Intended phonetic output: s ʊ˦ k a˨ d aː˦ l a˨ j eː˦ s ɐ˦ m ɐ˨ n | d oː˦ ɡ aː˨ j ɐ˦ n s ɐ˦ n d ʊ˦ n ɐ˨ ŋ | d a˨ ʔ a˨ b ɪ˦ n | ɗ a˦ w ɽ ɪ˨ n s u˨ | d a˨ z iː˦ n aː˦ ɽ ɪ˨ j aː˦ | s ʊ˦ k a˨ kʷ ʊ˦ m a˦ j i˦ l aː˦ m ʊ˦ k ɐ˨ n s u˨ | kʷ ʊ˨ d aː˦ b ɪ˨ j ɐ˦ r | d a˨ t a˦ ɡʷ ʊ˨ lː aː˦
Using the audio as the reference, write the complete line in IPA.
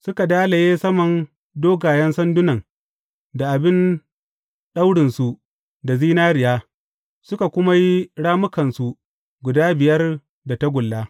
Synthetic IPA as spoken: s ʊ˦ k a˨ d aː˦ l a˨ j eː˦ s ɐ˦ m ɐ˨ n | d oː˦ ɡ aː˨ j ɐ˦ n s ɐ˦ n d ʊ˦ n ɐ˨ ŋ | d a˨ ʔ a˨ b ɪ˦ n | ɗ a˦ w ɽ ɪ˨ n s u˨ | d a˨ z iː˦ n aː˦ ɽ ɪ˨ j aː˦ | s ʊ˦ k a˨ kʷ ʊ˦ m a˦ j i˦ ɽ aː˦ m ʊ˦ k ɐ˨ n s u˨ | ɡʷ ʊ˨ d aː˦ b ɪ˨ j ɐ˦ r | d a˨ t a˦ ɡʷ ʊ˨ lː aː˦